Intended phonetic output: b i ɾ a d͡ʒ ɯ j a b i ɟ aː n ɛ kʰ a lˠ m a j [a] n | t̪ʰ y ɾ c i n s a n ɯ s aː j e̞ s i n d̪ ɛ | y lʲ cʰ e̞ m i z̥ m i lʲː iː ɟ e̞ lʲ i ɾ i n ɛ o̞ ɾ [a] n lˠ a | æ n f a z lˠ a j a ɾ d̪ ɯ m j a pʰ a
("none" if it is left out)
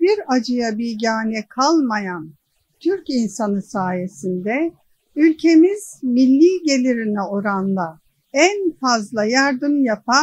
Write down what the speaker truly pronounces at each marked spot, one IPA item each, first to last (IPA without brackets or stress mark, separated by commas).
a, a